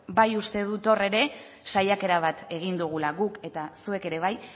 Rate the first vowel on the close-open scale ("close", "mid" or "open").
open